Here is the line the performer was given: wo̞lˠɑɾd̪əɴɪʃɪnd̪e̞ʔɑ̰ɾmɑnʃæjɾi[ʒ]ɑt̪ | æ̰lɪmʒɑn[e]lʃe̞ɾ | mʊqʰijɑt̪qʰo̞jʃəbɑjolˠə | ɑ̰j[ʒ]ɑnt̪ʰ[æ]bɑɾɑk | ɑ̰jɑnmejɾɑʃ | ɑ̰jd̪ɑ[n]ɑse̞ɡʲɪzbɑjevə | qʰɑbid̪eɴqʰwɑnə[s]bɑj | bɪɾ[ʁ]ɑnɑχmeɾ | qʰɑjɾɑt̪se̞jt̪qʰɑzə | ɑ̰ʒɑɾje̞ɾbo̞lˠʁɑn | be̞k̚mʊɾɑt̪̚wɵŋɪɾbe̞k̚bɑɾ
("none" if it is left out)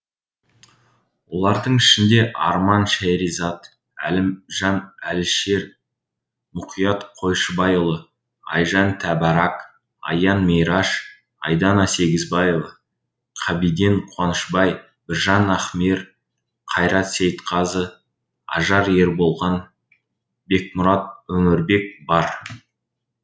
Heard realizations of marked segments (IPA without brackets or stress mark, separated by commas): z, æ, ʒ, æ, n, ʃ, ʒ